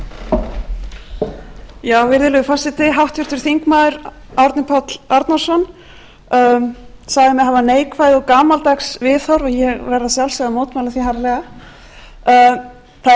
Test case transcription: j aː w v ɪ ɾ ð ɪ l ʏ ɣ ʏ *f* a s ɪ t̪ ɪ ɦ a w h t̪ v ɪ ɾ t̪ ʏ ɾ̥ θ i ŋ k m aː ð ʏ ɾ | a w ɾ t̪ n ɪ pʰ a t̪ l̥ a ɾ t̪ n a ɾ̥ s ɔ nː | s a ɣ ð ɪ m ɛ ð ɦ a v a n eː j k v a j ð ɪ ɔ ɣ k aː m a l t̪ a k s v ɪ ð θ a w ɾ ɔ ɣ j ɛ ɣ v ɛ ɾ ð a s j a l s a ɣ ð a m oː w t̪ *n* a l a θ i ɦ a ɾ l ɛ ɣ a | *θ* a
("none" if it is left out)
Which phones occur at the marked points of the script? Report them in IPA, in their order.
f, m, θ

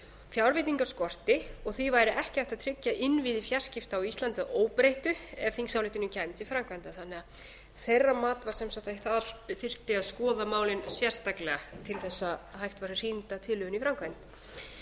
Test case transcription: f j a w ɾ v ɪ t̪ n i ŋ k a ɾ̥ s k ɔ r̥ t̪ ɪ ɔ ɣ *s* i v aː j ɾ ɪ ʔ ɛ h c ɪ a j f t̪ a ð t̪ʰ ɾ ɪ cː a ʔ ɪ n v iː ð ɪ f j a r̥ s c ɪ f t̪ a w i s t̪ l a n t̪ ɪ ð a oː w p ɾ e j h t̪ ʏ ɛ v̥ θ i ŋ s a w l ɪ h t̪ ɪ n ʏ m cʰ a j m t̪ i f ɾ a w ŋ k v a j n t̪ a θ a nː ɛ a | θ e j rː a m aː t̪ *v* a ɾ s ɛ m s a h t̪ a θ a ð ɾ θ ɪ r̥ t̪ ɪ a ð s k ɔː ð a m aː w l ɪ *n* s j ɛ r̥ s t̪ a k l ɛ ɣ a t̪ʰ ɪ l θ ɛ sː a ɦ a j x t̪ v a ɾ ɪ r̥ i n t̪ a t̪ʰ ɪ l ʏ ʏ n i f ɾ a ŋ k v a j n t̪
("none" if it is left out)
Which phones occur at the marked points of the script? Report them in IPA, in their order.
θ, v, n

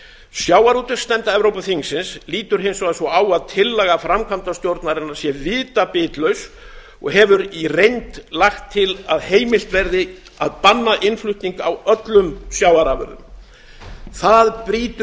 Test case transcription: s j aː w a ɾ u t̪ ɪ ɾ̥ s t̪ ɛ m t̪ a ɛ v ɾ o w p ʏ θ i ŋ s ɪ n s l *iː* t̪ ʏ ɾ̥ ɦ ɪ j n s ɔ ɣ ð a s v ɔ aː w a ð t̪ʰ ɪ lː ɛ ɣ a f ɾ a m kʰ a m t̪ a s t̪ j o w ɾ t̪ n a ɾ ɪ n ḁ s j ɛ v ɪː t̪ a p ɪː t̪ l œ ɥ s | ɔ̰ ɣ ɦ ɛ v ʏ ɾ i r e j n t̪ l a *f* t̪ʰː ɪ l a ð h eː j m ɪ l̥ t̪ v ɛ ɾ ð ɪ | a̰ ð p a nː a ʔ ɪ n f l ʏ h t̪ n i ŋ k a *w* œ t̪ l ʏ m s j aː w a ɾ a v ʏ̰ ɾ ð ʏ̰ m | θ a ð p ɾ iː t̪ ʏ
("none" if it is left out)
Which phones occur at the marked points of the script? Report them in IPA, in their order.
iː, x, w

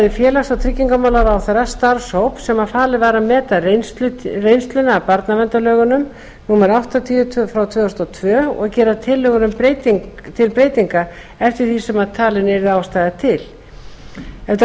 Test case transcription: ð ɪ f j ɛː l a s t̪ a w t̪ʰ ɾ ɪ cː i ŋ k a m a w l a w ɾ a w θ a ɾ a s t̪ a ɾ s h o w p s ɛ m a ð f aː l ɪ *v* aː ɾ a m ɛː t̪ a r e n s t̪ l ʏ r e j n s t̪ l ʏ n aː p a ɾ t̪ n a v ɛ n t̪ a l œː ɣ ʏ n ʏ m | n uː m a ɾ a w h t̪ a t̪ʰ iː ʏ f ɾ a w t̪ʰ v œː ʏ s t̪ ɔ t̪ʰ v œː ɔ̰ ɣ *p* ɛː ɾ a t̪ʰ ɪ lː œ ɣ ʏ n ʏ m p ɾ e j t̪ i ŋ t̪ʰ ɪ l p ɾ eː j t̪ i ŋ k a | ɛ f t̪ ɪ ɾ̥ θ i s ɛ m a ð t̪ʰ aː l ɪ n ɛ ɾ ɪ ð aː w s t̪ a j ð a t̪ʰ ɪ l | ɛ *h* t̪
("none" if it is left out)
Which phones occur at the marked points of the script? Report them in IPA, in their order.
v, c, f

